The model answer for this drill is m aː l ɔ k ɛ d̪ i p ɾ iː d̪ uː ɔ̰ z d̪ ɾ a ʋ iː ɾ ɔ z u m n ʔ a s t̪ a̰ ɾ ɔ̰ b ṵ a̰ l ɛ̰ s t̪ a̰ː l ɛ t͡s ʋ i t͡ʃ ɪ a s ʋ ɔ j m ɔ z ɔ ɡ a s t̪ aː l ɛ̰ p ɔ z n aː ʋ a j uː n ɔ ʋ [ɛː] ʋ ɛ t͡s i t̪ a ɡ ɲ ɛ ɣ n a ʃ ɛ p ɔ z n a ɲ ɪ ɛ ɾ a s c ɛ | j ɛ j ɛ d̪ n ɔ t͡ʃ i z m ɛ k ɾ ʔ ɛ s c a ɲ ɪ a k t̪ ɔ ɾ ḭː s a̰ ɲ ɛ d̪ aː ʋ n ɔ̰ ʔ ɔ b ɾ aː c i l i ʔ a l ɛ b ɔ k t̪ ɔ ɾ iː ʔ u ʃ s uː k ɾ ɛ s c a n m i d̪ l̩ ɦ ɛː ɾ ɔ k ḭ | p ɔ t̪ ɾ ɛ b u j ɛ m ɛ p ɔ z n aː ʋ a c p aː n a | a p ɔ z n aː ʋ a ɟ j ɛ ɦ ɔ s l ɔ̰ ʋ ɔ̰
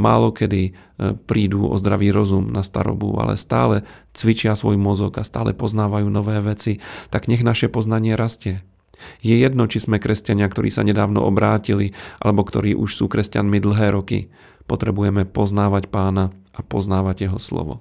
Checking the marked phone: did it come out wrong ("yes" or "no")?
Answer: no